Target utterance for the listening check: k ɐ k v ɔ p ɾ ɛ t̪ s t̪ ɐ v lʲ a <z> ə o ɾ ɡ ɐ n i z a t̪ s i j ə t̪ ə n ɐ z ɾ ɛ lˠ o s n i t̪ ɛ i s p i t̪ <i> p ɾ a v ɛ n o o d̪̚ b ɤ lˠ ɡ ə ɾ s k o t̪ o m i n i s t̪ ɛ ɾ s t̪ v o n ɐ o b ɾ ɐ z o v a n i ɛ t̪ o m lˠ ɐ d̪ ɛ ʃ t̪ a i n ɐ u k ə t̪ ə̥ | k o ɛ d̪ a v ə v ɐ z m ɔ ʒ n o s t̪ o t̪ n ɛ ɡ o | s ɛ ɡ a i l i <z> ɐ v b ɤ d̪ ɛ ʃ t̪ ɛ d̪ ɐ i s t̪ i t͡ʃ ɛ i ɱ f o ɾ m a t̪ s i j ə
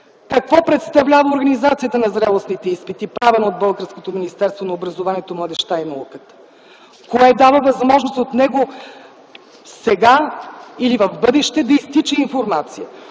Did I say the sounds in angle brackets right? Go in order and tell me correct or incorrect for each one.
incorrect, correct, incorrect

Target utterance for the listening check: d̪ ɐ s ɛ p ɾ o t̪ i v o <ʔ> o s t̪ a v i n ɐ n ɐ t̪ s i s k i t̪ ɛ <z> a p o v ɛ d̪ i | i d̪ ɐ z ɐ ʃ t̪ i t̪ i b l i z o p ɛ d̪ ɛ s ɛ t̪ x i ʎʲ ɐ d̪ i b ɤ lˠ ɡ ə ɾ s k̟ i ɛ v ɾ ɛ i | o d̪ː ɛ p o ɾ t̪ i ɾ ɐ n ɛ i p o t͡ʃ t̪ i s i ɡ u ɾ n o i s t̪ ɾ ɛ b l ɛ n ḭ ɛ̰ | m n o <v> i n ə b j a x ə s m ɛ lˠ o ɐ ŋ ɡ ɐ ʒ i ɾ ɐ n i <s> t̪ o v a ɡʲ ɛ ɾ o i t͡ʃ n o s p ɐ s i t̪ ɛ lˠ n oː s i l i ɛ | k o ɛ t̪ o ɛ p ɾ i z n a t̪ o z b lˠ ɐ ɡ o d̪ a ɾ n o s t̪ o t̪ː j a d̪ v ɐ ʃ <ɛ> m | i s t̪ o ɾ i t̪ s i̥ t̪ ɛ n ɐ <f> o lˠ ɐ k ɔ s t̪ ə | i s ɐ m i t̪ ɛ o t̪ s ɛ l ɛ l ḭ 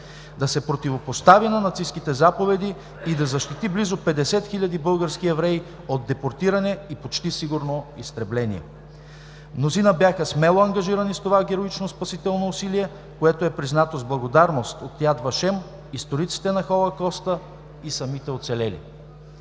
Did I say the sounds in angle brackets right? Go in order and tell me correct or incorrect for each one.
incorrect, correct, incorrect, correct, correct, incorrect

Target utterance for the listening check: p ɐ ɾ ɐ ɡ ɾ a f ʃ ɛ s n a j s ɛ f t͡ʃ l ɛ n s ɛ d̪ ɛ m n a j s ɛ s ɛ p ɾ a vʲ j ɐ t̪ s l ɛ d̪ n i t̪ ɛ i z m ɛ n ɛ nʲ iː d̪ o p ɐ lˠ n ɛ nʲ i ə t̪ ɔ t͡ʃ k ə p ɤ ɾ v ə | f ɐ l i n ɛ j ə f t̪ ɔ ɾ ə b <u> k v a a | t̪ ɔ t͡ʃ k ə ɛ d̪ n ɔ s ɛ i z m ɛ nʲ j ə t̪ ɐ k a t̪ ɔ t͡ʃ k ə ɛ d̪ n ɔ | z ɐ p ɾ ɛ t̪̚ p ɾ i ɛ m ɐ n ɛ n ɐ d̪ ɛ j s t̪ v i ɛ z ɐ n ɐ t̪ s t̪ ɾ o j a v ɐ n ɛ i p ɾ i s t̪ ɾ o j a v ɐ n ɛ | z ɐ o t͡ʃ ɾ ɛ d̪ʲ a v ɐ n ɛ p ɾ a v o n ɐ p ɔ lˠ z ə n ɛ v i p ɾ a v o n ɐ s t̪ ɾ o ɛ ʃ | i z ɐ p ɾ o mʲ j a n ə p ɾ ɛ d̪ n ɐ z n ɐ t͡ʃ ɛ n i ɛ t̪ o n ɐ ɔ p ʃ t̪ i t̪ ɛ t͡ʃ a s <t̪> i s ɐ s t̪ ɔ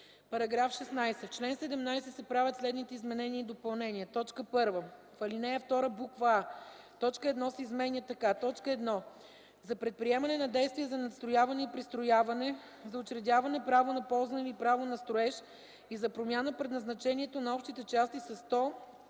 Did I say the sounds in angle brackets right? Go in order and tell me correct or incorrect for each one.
correct, correct

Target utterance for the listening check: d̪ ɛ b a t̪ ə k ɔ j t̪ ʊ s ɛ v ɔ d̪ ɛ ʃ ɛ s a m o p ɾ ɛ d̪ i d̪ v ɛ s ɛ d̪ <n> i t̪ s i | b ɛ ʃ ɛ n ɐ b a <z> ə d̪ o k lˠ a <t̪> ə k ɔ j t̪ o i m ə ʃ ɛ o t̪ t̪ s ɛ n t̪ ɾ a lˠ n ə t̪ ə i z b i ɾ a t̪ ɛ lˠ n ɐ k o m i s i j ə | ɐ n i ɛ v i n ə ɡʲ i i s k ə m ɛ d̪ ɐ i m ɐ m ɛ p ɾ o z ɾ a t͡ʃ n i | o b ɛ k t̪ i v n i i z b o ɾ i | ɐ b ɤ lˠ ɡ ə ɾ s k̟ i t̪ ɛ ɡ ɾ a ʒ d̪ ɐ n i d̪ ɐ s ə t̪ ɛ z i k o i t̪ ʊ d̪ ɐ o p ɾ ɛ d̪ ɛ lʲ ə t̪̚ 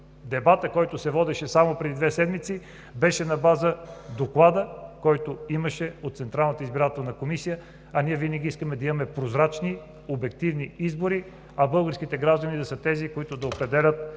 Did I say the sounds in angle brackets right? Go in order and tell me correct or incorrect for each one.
incorrect, correct, incorrect

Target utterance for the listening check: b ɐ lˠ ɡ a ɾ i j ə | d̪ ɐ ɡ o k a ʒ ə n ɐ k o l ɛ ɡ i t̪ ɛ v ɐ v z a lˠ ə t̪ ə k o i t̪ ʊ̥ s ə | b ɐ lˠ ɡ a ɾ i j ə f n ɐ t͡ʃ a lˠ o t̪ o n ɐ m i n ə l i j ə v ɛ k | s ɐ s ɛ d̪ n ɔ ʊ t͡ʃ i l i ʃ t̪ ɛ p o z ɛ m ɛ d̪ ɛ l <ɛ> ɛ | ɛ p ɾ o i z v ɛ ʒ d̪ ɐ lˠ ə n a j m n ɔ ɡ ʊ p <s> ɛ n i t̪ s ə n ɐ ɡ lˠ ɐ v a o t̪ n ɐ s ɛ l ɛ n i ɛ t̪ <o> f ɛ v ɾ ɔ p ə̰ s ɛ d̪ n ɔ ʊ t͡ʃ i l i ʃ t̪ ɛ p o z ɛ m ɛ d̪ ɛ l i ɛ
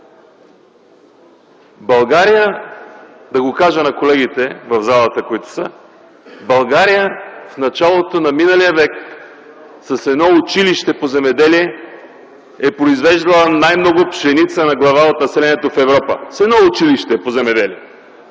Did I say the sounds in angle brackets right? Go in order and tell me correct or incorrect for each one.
incorrect, incorrect, correct

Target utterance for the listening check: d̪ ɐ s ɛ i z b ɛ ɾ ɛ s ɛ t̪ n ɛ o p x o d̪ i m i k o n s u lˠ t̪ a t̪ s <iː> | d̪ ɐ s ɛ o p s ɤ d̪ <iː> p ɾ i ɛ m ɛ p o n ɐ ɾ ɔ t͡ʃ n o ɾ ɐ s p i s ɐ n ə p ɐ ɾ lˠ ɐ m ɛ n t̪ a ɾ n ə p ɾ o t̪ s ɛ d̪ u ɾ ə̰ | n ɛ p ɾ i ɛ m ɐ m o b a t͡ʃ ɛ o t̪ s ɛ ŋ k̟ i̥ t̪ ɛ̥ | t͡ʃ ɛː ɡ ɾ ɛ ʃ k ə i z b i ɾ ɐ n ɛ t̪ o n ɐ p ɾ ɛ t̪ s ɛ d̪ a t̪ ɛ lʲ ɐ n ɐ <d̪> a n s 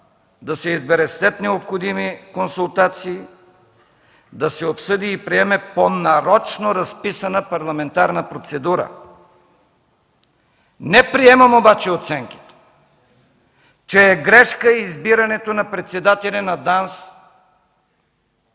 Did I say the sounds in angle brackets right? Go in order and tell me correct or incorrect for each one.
correct, correct, correct

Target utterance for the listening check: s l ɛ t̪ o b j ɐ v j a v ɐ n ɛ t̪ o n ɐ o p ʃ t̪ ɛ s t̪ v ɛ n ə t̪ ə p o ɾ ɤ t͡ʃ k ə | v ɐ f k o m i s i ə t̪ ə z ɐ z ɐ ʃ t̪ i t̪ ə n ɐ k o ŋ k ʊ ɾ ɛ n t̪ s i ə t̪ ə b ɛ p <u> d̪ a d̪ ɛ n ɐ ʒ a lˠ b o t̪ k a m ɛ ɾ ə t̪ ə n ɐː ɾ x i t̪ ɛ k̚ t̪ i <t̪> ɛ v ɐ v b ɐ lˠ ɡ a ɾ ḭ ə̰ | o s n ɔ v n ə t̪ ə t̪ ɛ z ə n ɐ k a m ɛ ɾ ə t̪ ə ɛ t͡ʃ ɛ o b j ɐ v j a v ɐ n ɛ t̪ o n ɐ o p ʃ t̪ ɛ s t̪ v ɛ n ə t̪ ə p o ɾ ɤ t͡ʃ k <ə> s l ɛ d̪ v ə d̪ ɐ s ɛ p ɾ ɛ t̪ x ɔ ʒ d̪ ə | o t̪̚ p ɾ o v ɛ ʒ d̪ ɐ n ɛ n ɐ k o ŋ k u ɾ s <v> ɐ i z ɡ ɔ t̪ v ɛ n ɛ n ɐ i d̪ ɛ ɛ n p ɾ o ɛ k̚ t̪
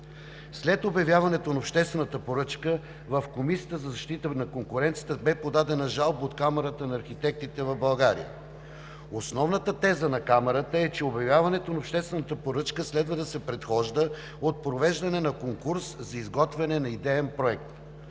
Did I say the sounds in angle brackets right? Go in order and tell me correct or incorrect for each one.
incorrect, correct, correct, incorrect

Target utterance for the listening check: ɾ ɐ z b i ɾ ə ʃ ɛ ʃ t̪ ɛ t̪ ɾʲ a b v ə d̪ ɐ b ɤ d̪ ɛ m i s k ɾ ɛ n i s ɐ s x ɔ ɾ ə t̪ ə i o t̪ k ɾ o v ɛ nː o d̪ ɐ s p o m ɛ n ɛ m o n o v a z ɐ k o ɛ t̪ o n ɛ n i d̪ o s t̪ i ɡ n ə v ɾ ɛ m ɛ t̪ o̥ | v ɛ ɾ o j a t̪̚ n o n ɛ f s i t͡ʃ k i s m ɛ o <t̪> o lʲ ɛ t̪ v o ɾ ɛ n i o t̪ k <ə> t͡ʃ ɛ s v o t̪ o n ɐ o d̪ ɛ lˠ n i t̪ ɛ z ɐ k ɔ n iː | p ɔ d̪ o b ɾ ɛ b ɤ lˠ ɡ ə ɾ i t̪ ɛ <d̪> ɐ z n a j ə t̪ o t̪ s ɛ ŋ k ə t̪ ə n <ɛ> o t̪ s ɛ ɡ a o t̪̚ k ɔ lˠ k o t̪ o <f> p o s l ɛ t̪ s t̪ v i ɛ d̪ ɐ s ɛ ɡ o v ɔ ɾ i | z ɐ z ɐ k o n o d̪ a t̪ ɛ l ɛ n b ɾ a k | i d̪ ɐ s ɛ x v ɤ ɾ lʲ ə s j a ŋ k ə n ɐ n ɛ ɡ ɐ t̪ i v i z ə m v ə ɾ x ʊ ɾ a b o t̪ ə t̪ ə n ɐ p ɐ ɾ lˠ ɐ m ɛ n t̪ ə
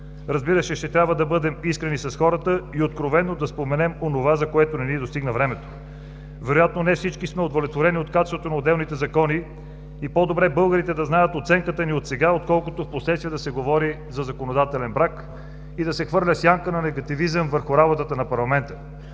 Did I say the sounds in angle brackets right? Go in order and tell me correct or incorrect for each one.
incorrect, incorrect, correct, incorrect, correct

